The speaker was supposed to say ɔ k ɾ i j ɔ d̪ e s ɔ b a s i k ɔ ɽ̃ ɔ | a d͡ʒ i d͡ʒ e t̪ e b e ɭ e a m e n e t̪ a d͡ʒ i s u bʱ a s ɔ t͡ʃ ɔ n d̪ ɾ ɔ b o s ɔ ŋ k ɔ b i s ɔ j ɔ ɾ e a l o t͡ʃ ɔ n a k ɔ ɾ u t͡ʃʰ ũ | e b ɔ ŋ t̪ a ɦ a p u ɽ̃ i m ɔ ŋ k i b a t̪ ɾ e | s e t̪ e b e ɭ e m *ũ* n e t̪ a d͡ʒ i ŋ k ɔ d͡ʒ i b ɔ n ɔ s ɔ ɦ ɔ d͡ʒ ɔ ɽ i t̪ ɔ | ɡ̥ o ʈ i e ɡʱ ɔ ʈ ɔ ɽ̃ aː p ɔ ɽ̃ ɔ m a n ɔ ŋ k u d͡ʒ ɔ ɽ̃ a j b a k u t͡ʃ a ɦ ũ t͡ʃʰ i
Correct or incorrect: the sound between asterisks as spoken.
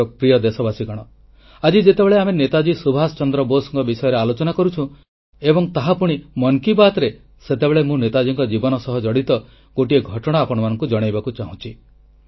correct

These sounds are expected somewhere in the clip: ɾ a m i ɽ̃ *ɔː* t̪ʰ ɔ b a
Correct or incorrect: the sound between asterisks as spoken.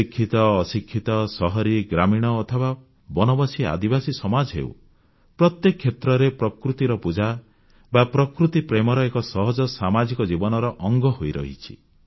correct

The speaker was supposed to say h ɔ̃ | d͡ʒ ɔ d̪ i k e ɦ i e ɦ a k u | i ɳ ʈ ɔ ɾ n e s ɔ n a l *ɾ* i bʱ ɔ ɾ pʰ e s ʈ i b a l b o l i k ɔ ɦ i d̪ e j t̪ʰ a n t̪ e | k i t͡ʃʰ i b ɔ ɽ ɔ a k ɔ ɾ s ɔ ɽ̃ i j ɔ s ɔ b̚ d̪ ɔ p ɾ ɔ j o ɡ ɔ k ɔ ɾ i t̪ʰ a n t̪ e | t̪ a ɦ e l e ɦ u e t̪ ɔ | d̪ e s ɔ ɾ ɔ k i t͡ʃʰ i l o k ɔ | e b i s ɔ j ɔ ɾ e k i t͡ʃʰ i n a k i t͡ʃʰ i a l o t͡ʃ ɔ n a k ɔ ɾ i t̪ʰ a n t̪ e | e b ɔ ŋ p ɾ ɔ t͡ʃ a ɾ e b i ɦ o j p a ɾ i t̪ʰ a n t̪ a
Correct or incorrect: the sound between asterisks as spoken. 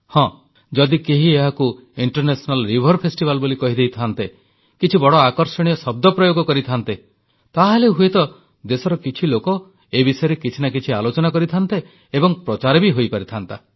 correct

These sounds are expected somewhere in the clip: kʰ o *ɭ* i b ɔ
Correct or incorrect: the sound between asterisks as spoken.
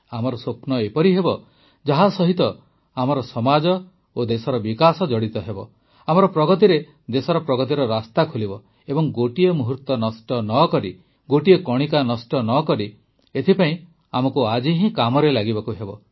incorrect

